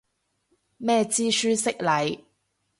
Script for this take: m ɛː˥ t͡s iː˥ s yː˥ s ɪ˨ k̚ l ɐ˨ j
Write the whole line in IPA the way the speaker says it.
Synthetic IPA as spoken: m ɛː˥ t͡s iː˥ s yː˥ s ɪ˥ k̚ l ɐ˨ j